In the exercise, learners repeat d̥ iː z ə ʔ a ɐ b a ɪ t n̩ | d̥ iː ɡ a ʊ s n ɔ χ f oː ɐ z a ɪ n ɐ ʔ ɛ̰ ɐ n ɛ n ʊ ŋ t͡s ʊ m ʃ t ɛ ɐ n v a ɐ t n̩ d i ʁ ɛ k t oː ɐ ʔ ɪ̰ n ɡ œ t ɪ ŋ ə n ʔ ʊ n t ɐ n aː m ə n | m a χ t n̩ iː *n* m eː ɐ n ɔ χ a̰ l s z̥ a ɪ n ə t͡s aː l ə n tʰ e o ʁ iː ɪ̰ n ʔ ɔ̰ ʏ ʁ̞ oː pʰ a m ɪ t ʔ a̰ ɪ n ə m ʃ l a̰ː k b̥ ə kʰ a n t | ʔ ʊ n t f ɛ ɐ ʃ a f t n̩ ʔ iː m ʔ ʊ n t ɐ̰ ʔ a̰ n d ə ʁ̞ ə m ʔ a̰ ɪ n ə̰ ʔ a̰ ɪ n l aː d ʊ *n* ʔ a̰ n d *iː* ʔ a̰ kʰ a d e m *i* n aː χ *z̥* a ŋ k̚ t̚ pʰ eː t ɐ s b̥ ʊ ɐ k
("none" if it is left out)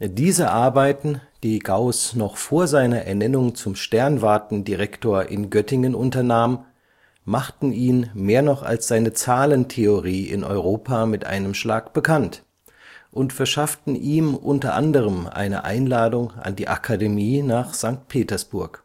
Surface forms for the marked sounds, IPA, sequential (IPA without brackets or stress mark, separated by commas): n, ŋ, iː, iː, z̥